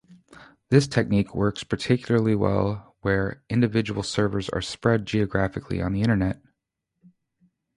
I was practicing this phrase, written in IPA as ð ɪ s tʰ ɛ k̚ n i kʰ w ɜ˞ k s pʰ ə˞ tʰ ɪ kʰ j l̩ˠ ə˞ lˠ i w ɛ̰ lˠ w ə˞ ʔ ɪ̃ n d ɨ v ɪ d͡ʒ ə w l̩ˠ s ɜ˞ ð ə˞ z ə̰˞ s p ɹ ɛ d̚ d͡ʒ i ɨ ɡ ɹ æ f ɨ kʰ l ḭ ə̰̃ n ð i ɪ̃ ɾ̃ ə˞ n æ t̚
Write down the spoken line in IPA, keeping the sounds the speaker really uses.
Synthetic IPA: ð ɪ s tʰ ɛ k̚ n i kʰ w ɜ˞ k s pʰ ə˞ tʰ ɪ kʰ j l̩ˠ ə˞ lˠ i w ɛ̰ lˠ w ə˞ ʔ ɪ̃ n d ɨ v ɪ d͡ʒ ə w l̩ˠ s ɜ˞ v ə˞ z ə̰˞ s p ɹ ɛ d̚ d͡ʒ i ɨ ɡ ɹ æ f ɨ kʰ l ḭ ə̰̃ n ð i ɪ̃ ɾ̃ ə˞ n ɛ t̚